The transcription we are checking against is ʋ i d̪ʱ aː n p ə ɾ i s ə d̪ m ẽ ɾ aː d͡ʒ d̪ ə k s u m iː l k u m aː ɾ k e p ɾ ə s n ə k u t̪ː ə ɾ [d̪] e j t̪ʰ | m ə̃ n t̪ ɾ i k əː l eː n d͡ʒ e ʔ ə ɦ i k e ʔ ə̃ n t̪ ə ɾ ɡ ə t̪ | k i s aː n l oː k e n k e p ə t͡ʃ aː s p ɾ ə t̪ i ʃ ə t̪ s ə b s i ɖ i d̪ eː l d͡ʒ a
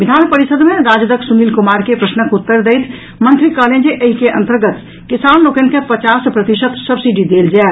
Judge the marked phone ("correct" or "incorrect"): correct